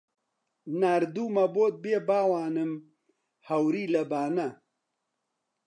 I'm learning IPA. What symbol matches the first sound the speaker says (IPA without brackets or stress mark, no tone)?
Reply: n